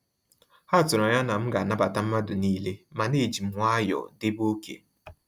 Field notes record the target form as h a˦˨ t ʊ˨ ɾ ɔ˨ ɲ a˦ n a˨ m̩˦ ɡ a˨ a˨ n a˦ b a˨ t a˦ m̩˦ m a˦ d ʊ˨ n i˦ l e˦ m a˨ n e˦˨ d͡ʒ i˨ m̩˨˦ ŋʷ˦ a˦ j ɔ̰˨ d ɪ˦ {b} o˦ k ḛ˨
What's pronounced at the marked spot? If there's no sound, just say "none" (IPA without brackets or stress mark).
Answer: b